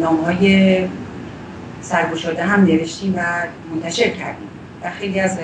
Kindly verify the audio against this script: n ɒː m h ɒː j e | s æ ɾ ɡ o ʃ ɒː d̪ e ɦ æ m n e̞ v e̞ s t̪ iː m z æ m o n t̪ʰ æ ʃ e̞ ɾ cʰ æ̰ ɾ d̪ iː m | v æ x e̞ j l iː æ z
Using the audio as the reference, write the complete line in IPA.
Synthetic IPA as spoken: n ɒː m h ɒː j e | s æ ɾ ɡ o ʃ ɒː d̪ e ɦ æ m n e̞ v e̞ ʃ t̪ iː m v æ m o n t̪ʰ æ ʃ e̞ ɾ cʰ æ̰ ɾ d̪ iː m | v æ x e̞ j l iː æ z